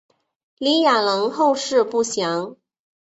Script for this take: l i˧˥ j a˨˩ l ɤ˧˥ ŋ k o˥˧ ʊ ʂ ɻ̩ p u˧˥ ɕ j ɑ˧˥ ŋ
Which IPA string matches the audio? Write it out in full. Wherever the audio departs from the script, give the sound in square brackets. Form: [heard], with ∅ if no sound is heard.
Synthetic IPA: l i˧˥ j a˨˩ l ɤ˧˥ ŋ [x] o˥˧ ʊ ʂ ɻ̩ p [u˥˩] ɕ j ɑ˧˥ ŋ